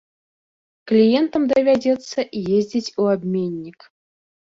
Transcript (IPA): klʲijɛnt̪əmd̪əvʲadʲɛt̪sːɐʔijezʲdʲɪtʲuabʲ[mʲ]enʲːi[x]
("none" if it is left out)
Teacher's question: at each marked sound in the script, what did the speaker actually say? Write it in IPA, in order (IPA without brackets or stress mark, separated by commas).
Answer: mʲ, k